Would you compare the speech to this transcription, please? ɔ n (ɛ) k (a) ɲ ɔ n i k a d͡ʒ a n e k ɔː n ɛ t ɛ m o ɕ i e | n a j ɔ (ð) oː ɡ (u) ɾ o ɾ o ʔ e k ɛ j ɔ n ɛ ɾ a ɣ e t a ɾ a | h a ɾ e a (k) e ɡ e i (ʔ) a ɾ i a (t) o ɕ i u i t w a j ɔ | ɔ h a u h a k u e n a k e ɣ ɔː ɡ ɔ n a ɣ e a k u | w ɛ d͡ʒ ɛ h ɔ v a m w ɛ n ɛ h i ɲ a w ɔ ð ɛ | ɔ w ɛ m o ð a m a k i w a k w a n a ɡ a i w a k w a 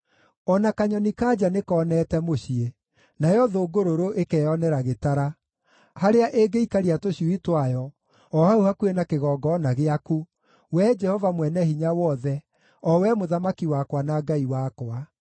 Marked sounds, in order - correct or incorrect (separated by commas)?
incorrect, correct, correct, incorrect, incorrect, incorrect, correct